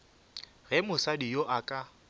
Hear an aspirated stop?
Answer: no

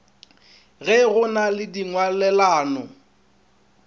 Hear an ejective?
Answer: no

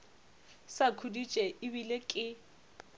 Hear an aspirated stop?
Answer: yes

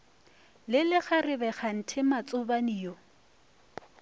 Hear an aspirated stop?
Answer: yes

